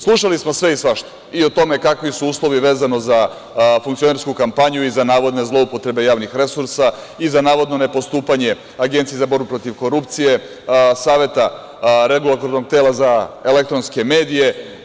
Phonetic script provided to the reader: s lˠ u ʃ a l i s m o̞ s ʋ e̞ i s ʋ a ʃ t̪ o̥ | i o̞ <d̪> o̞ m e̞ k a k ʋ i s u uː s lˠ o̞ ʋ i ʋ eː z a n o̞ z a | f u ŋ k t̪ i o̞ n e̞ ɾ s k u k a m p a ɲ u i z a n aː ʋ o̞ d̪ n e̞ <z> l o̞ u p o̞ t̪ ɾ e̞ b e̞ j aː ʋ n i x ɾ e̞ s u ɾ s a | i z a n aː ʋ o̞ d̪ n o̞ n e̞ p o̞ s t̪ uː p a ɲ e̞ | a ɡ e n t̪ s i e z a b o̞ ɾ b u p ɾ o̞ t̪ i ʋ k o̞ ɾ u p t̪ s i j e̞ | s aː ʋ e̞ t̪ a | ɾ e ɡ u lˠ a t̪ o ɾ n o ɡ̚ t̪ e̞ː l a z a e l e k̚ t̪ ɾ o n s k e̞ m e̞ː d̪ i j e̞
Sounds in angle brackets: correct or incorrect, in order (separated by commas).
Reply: incorrect, correct